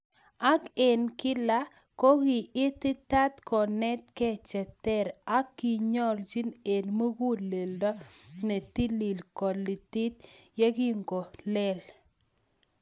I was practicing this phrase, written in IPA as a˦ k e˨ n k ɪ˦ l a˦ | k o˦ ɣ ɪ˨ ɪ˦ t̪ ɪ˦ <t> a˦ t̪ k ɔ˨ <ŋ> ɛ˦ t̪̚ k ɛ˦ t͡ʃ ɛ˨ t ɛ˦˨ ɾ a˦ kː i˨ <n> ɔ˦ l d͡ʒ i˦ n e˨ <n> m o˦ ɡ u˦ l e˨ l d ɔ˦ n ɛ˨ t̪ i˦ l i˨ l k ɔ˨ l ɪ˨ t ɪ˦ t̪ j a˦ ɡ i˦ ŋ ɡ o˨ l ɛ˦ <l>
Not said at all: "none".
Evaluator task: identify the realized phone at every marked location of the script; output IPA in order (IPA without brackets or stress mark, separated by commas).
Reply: t, n, ɲ, n, l